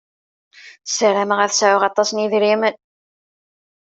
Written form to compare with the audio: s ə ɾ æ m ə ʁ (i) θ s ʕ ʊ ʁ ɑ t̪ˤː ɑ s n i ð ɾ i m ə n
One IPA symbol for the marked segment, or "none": æ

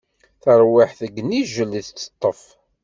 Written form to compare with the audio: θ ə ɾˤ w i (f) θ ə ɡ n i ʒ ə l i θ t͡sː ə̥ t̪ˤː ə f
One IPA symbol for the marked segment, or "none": ħ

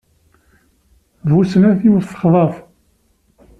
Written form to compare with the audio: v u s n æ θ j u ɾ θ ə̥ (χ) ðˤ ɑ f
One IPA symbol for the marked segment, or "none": χ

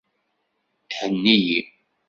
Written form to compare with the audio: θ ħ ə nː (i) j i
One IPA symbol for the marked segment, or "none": i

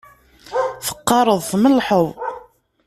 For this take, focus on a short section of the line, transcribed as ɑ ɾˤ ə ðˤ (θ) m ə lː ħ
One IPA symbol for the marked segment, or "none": θ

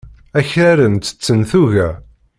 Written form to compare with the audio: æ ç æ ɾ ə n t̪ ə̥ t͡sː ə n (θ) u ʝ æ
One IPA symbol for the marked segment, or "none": θ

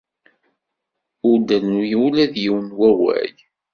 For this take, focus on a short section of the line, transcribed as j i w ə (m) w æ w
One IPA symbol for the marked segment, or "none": n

